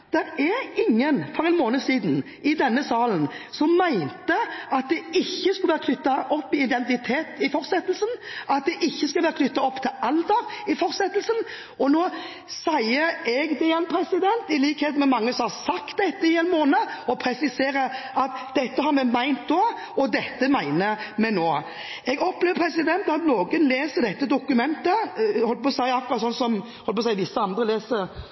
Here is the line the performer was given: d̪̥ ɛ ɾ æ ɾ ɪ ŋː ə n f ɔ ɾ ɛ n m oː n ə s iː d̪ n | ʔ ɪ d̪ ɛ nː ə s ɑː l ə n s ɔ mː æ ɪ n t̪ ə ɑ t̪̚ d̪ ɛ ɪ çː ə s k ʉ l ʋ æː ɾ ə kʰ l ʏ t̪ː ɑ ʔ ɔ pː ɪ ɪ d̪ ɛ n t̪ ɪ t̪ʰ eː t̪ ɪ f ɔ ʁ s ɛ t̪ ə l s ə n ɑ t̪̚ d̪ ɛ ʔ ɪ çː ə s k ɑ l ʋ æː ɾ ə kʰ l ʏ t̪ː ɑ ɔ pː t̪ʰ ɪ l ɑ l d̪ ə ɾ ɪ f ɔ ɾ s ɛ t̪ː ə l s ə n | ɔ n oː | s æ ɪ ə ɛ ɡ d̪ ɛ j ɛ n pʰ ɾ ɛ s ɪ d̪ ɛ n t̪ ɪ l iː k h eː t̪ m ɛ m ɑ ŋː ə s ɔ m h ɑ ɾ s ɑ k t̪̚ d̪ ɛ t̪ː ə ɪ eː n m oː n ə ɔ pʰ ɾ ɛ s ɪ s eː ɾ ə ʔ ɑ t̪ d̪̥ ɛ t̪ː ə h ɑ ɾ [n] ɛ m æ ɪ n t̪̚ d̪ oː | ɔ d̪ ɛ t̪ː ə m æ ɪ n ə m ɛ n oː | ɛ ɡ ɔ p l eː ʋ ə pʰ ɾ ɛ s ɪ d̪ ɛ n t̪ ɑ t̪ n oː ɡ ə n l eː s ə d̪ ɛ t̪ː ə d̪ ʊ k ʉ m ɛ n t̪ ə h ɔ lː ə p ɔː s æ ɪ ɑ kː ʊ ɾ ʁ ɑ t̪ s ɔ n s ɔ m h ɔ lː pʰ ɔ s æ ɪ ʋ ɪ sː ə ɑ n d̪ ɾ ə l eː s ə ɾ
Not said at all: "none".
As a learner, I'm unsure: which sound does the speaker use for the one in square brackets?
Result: m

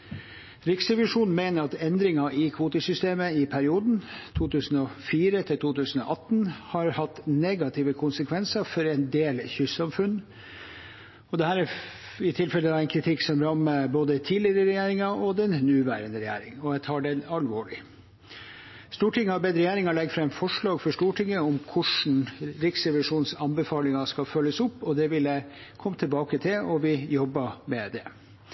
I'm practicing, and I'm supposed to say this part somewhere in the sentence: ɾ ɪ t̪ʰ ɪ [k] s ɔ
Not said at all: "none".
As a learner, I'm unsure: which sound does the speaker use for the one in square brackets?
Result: k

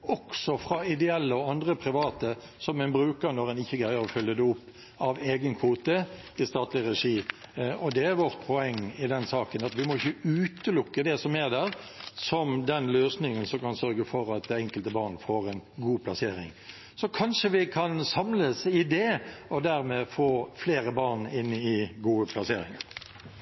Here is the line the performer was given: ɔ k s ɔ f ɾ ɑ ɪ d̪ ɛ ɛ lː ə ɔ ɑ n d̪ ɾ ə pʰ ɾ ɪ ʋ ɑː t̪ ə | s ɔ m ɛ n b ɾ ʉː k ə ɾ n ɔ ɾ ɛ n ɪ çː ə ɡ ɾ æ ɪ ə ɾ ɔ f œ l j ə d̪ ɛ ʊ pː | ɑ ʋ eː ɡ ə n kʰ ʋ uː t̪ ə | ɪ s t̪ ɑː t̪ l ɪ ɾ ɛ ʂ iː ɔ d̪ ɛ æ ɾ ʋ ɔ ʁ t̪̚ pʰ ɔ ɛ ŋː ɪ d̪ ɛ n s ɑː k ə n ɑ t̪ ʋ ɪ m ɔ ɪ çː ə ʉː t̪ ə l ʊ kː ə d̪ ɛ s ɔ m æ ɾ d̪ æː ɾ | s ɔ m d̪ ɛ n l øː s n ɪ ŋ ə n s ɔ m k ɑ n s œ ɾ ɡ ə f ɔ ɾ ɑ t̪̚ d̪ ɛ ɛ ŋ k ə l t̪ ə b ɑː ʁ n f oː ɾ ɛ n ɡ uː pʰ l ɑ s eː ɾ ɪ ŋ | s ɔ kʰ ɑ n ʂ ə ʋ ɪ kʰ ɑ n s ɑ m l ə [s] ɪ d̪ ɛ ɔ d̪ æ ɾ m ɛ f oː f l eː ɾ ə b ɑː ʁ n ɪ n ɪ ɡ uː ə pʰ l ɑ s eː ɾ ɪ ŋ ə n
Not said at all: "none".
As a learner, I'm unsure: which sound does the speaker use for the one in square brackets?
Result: s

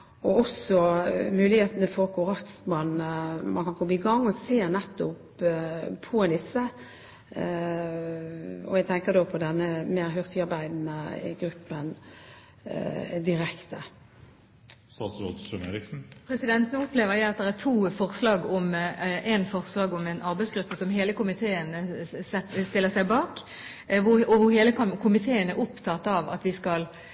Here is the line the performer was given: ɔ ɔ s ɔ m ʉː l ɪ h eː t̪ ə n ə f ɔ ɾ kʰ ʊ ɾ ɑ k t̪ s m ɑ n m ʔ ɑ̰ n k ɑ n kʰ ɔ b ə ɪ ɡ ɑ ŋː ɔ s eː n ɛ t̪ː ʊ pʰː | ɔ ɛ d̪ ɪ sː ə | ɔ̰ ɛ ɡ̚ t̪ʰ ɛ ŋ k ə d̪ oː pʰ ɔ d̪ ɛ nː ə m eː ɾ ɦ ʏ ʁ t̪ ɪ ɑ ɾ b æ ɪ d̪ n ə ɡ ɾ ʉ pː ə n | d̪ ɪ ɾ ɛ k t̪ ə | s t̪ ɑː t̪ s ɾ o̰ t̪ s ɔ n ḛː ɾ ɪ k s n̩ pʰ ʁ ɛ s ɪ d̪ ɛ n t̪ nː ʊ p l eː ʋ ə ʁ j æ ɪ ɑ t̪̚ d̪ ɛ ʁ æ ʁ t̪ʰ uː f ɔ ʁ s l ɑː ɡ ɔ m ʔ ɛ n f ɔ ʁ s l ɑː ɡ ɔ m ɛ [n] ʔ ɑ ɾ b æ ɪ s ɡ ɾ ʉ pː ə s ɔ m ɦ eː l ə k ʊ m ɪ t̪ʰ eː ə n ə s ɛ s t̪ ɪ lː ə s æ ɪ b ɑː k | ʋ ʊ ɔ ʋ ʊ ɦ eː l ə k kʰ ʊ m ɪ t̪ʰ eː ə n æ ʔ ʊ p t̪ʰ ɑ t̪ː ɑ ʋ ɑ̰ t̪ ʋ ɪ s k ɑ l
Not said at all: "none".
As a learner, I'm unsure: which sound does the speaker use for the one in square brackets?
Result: n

